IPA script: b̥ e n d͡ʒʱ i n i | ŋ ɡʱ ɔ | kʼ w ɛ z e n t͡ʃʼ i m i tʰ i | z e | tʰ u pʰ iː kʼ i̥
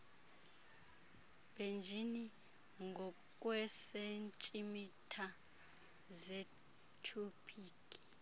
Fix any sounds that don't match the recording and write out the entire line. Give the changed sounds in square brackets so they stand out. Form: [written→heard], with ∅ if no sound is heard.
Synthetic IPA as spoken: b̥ e n d͡ʒʱ i n i | ŋ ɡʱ ɔ | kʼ w ɛ [z→s] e n t͡ʃʼ i m i tʰ [i→a] | z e | tʰ u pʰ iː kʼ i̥